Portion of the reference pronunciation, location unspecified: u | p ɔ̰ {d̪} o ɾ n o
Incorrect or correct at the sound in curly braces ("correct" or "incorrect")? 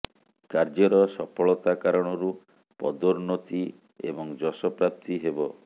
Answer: correct